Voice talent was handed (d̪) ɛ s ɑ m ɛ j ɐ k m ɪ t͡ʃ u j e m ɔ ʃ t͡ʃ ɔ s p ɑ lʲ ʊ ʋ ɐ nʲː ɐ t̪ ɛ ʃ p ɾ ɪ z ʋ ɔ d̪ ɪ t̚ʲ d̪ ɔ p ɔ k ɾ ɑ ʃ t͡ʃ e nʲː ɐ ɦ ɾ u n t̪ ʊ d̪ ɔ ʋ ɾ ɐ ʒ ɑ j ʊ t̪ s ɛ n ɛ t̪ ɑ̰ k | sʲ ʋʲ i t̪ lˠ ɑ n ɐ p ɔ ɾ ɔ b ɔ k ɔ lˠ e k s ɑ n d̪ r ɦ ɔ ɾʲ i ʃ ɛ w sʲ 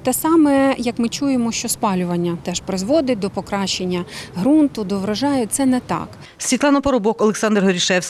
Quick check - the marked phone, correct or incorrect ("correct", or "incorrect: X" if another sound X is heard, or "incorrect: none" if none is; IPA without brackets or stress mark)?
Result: incorrect: t̪